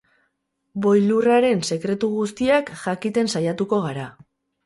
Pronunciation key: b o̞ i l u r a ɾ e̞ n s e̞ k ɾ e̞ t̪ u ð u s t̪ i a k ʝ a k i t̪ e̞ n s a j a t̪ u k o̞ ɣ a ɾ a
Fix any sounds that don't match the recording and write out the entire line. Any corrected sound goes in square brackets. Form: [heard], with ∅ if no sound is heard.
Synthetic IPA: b o̞ [j] l u r a ɾ e̞ n s e̞ k ɾ e̞ t̪ u [ɣ] u s t̪ i a k ʝ a k i t̪ e̞ n s a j a t̪ u k o̞ ɣ a ɾ a